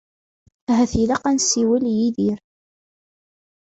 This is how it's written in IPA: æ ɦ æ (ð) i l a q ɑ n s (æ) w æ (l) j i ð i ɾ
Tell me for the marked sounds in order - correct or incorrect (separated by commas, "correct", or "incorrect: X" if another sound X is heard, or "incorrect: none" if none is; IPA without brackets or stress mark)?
incorrect: θ, incorrect: i, correct